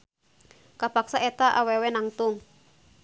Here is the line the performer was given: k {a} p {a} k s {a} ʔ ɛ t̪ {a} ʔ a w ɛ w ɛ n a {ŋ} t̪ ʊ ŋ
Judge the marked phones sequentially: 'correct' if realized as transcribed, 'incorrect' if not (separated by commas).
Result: correct, correct, correct, correct, correct